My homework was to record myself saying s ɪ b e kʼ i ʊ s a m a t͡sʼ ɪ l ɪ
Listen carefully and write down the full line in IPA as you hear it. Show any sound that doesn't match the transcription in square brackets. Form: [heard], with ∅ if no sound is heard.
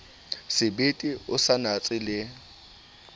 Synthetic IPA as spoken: s ɪ b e [tʼ] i ʊ s a [n] a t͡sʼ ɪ l ɪ